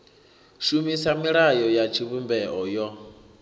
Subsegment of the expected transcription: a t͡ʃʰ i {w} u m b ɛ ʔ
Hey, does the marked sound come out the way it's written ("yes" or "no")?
no